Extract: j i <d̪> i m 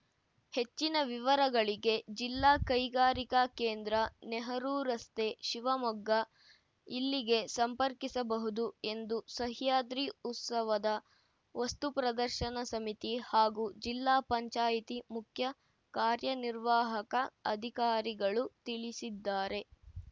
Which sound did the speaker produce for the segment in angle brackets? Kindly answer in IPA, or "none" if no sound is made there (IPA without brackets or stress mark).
t̪